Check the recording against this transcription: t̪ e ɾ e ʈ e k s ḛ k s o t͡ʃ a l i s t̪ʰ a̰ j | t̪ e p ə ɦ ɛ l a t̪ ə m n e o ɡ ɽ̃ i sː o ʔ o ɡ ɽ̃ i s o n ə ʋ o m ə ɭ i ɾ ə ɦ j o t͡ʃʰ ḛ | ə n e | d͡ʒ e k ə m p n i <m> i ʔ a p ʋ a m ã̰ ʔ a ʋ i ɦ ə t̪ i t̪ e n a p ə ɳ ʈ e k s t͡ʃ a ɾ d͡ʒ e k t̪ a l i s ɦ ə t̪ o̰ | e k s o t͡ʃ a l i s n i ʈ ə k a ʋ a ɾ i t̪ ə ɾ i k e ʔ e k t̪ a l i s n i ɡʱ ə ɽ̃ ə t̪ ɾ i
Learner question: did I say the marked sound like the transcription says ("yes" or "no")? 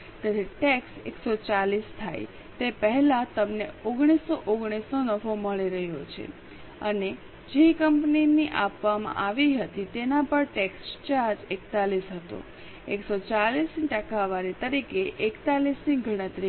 no